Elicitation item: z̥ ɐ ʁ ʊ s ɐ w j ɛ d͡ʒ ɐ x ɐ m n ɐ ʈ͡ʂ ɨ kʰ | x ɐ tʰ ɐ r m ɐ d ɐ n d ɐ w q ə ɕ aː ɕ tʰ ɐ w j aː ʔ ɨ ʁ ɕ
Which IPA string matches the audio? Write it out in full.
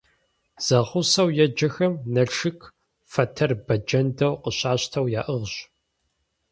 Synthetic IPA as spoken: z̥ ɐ ʁ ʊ s ɐ w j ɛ d͡ʒ ɐ x ɐ m n ɐ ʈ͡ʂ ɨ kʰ | f ɐ tʰ ɐ r b ɐ d͡ʒ ɐ n d ɐ w q ə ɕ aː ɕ tʰ ɐ w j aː ʔ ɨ ʁ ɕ